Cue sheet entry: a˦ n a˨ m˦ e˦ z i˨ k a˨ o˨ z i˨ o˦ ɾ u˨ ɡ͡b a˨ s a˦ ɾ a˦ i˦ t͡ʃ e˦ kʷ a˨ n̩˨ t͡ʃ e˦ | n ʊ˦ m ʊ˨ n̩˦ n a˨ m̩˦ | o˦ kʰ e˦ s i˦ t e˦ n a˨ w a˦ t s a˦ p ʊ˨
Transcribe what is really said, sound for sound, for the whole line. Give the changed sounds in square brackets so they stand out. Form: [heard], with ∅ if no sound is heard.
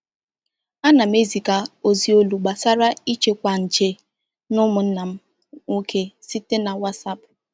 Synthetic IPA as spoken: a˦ n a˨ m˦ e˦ z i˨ k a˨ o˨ z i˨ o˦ [l] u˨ ɡ͡b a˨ s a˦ ɾ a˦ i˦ t͡ʃ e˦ kʷ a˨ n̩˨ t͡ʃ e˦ | n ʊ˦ m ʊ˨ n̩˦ n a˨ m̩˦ | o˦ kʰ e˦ s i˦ t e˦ n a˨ w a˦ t s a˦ p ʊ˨